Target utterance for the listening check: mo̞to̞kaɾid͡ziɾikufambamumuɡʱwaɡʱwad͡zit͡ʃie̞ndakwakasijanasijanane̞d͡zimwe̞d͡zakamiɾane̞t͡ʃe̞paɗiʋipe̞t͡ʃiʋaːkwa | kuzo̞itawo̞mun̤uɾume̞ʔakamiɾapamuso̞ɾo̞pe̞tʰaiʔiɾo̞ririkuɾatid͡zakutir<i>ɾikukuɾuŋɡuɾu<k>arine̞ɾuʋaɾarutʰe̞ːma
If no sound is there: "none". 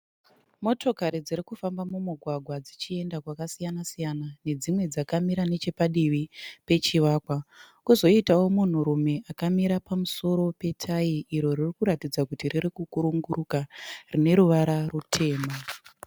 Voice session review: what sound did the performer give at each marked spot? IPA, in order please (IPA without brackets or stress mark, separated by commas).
i, k